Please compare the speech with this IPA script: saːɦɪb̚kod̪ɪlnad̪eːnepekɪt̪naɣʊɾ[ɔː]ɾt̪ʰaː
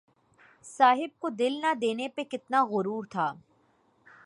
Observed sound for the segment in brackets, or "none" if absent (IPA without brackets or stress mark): uː